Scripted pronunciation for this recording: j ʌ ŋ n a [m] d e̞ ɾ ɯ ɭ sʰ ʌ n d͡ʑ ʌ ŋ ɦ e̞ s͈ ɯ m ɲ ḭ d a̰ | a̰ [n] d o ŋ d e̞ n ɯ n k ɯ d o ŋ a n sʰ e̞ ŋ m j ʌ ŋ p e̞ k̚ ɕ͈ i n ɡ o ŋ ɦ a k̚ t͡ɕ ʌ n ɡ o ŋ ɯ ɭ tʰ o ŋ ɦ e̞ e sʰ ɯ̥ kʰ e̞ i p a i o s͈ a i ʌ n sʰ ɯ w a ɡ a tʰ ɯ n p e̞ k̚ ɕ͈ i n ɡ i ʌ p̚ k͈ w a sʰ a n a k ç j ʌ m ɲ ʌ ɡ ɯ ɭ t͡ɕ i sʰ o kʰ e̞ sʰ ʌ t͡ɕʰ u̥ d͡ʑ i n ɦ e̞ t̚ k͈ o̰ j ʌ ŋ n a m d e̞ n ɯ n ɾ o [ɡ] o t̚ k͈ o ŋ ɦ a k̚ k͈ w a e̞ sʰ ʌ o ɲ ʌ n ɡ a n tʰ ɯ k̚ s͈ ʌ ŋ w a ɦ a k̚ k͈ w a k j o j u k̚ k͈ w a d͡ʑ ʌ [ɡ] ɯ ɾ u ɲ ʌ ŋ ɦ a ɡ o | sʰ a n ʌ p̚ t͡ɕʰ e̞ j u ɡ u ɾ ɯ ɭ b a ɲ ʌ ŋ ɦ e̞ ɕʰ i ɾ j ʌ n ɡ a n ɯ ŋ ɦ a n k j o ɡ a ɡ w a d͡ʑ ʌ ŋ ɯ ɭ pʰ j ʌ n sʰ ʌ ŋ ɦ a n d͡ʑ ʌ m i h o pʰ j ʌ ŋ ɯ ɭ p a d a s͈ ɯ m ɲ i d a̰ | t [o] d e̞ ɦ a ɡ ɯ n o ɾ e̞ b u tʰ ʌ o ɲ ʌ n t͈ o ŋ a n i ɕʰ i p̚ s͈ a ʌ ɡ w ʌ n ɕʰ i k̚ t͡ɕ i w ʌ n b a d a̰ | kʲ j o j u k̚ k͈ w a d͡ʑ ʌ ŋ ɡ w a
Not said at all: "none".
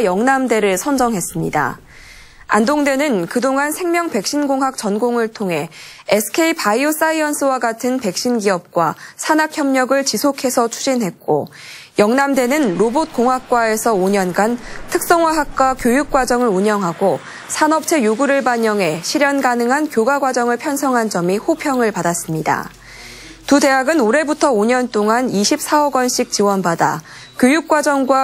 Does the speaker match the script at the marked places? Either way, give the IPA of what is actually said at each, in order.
m, n, b, ŋ, u

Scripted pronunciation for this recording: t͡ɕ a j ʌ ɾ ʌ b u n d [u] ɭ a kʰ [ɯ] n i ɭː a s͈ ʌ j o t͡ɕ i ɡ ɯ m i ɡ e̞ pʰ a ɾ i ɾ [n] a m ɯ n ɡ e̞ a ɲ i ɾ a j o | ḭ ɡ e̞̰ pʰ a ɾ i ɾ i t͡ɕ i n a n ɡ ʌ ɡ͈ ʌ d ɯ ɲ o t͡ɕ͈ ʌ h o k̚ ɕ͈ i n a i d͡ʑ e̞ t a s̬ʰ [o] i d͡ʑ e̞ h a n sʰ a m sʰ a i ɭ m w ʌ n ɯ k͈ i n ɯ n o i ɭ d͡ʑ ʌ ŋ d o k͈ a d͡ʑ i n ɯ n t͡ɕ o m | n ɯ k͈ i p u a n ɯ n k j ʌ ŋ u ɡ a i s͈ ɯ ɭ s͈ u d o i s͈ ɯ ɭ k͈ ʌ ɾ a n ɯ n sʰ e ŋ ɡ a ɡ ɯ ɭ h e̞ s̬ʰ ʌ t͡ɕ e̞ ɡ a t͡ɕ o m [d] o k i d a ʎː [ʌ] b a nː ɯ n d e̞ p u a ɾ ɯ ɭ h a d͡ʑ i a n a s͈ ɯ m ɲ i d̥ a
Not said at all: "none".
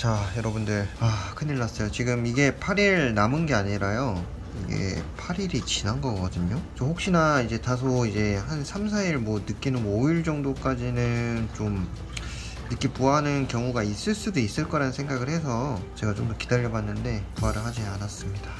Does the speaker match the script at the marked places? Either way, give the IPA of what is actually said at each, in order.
ɯ, ɯ, n, o, d, ʌ

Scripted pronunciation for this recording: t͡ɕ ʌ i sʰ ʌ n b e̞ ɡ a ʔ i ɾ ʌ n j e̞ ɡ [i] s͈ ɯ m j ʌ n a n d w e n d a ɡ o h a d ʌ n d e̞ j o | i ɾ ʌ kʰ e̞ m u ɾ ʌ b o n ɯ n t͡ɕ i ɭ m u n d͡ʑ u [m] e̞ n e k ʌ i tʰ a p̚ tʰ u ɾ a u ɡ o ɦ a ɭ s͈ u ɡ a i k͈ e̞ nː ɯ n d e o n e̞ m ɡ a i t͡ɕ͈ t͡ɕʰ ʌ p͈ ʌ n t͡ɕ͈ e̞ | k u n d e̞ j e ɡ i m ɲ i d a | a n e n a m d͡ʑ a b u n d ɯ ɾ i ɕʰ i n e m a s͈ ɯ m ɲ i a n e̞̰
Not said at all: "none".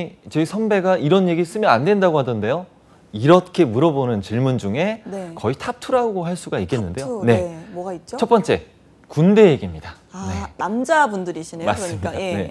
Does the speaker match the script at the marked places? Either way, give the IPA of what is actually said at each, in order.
i, ŋ

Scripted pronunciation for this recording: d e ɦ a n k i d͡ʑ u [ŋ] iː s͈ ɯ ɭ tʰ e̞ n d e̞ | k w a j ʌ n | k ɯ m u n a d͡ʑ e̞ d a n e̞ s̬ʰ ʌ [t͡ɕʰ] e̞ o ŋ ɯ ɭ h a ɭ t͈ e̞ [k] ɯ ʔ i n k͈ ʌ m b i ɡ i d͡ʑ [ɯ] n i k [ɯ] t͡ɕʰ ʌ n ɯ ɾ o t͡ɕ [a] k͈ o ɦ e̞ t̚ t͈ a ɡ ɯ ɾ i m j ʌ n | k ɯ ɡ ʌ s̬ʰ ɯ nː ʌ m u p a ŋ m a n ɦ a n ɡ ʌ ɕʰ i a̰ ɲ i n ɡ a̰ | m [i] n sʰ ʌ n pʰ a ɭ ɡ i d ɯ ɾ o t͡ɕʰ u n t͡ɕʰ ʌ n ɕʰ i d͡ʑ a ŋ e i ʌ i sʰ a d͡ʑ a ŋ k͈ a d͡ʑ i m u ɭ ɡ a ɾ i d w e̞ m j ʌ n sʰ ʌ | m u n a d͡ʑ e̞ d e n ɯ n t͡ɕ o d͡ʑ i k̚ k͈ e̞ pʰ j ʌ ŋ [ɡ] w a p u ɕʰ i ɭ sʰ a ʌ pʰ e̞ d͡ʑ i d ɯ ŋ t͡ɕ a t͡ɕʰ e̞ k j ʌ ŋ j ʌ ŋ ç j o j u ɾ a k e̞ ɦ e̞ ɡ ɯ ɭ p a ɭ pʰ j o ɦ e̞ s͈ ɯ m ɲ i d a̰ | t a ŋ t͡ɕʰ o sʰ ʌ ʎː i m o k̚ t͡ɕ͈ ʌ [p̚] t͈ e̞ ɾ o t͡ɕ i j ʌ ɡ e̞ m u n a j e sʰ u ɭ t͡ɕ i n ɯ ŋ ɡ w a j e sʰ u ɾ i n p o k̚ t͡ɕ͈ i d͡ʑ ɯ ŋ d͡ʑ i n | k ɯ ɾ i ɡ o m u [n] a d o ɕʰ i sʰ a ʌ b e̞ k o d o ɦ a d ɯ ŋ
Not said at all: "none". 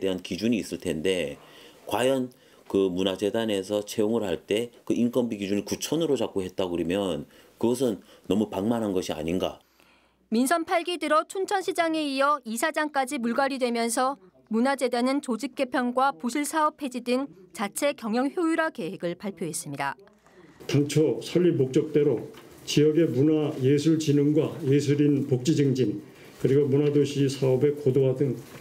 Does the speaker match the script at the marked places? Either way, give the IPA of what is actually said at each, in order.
ɲ, t͡ɕʰ, k, u, u, a, i, ɡ, k̚, n

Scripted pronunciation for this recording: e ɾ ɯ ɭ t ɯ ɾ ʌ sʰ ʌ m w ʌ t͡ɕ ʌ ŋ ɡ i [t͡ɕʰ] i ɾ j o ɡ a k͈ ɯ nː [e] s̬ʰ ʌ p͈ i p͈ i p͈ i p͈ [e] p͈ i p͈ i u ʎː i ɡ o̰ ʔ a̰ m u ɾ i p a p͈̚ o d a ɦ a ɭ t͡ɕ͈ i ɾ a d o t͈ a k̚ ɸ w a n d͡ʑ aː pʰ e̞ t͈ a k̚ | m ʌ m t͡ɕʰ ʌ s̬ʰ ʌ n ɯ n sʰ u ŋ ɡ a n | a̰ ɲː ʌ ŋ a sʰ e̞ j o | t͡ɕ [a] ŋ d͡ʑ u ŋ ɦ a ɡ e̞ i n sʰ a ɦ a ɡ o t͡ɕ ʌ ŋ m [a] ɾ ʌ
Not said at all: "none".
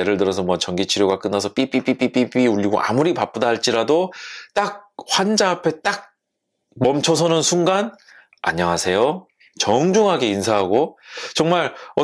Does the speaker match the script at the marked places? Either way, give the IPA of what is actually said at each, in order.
t͡ɕʰ, a, i, ʌ, a

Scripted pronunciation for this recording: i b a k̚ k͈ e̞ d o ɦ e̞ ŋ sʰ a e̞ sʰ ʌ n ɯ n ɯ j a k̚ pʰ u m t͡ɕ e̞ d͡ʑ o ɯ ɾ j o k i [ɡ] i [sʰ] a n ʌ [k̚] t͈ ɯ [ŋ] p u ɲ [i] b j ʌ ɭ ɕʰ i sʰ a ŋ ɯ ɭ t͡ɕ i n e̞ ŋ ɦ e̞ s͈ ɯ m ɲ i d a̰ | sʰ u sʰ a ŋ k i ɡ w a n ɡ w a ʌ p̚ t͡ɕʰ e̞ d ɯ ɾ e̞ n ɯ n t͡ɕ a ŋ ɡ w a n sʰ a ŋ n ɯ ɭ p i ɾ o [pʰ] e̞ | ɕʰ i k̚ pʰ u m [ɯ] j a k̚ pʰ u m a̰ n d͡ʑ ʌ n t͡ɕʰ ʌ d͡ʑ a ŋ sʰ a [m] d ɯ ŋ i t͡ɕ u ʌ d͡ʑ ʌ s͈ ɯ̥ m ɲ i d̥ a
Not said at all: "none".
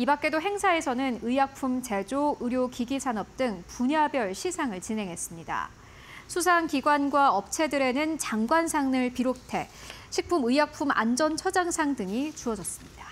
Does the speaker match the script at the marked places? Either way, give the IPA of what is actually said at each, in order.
ɡ, sʰ, p̚, ŋ, a, tʰ, ɯ, ŋ

